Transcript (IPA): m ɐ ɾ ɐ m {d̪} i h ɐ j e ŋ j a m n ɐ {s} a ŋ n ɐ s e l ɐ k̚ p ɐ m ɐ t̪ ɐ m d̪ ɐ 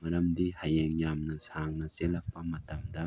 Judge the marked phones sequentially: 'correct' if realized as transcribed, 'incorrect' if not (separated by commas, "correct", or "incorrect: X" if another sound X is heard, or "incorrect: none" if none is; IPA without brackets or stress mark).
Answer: correct, correct